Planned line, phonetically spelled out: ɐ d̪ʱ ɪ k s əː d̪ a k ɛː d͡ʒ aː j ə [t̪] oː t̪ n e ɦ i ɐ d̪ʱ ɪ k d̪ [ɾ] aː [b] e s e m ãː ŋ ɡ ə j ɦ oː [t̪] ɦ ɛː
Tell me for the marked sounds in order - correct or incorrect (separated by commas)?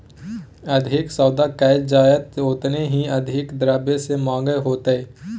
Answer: correct, correct, correct, correct